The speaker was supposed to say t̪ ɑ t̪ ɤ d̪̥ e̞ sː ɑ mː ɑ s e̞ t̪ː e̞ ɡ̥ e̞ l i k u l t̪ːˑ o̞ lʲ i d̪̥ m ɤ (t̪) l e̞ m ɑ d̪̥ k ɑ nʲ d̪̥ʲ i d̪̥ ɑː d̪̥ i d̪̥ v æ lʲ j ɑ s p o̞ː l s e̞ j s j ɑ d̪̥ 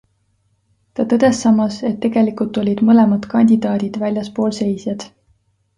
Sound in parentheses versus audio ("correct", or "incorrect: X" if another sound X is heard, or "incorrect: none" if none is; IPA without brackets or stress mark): incorrect: none